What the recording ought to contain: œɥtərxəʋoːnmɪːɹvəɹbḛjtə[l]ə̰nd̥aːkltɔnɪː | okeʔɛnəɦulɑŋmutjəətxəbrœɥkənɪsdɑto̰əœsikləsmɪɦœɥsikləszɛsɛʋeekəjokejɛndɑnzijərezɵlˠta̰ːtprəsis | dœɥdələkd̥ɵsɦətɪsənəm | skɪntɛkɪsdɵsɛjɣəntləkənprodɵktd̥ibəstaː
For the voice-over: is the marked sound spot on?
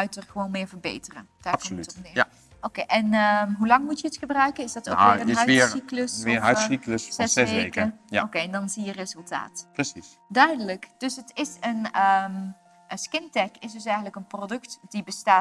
no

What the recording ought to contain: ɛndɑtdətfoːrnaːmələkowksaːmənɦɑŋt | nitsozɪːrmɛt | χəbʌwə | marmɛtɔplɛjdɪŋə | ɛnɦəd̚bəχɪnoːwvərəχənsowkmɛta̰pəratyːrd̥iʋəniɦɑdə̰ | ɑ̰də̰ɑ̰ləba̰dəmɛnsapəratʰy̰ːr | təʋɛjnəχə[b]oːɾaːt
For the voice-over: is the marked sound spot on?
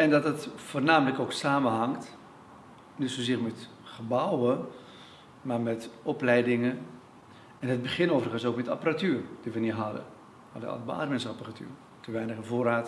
no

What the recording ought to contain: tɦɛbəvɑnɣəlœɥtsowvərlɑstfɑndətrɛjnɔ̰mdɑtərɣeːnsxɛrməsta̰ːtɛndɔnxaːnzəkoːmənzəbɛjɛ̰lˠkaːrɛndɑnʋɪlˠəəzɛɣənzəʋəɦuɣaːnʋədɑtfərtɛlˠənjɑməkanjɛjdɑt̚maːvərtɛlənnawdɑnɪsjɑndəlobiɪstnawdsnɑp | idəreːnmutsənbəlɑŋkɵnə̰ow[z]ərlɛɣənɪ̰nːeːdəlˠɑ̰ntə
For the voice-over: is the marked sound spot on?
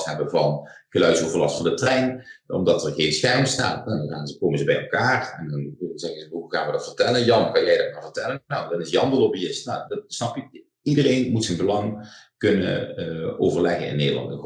no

